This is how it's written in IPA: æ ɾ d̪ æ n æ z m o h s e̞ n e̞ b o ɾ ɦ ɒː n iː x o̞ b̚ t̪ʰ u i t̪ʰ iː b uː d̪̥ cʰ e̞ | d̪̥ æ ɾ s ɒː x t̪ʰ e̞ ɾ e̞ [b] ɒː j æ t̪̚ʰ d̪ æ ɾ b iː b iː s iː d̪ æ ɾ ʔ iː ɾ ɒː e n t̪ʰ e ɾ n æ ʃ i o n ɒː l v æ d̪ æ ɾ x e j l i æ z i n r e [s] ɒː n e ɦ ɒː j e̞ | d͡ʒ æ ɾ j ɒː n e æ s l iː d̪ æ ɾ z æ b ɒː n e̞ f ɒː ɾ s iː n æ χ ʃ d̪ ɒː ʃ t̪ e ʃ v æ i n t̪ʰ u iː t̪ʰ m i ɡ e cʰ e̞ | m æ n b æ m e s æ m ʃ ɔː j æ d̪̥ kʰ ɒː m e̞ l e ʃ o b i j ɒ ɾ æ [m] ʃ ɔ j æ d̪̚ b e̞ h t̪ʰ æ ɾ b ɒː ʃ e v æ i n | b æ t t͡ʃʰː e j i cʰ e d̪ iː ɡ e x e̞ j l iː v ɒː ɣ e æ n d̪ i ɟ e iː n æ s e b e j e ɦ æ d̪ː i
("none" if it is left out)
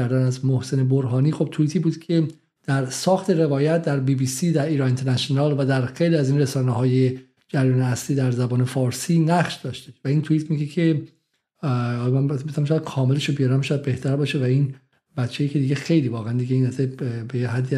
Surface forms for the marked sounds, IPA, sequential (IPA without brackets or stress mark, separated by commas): v, s, m